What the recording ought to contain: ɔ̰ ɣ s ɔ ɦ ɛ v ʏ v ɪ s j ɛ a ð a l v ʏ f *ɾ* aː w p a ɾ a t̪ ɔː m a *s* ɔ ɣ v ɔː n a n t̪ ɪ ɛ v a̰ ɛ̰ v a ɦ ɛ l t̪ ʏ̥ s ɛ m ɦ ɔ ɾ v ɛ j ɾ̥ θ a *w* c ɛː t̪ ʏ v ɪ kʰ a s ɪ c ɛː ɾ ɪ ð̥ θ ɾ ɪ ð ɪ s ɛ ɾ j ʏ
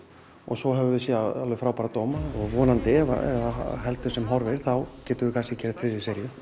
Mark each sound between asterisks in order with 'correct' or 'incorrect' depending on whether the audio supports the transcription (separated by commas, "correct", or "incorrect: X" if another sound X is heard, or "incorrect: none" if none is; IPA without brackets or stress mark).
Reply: correct, incorrect: none, correct